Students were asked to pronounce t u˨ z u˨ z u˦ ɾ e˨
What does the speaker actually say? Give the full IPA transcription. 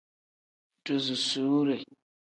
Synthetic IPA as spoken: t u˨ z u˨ s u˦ ɾ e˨